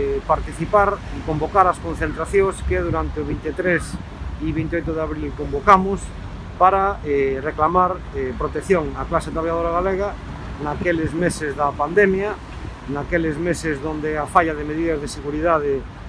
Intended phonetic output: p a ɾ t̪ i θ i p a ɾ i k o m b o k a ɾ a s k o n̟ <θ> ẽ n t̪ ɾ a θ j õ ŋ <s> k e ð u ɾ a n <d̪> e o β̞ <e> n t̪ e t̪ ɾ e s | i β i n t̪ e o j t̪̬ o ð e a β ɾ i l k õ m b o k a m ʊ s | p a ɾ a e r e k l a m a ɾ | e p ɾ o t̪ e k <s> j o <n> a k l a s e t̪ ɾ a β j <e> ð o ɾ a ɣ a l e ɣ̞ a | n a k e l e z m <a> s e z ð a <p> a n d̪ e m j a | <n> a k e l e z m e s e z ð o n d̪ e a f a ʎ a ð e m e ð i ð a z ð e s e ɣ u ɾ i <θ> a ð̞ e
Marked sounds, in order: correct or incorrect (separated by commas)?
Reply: correct, correct, incorrect, incorrect, incorrect, incorrect, incorrect, incorrect, correct, correct, incorrect